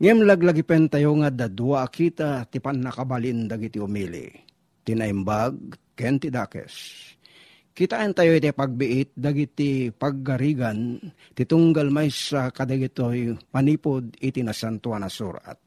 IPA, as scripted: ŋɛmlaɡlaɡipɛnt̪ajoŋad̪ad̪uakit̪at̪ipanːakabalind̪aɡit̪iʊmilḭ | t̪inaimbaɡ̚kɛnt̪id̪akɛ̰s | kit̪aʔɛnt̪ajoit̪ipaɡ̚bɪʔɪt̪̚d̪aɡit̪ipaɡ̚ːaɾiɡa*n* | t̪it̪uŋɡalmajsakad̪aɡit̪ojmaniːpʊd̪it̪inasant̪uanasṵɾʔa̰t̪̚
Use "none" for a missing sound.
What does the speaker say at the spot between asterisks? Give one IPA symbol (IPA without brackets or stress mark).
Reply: n